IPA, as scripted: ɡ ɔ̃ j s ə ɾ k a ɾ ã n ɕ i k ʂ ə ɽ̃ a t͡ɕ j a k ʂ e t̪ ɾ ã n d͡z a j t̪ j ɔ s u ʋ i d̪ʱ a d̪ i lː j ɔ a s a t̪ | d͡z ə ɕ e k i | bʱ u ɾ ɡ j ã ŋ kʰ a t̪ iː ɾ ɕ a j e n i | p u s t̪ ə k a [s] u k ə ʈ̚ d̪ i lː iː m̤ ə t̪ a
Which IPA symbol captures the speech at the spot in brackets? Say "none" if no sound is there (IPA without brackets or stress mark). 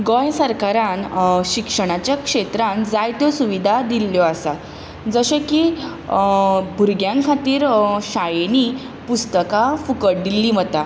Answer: f